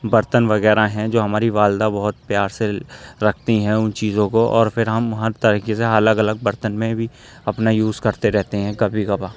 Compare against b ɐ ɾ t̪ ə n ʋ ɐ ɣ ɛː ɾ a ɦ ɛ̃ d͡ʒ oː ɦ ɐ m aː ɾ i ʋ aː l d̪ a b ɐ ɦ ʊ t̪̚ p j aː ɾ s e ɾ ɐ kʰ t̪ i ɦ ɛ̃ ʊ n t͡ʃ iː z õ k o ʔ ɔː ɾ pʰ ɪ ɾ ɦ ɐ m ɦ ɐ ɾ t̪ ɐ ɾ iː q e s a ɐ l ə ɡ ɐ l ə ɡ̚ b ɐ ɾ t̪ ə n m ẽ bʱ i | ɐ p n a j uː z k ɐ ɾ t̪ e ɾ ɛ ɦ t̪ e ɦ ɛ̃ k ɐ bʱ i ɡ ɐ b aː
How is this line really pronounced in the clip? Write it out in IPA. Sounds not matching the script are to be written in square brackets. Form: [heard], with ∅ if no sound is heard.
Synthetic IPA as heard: b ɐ ɾ t̪ ə n ʋ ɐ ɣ ɛː ɾ a ɦ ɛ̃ d͡ʒ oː ɦ ɐ m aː ɾ i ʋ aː l d̪ a b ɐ ɦ ʊ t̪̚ p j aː ɾ s e ɾ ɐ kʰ t̪ i ɦ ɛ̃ ʊ n t͡ʃ iː z õ k o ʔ ɔː ɾ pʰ ɪ ɾ ɦ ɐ m ɦ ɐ ɾ t̪ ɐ ɾ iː [k] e s [e] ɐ l ə ɡ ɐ l ə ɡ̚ b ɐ ɾ t̪ ə n m ẽ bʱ i | ɐ p n a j uː z k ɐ ɾ t̪ e ɾ ɛ ɦ t̪ e ɦ ɛ̃ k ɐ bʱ i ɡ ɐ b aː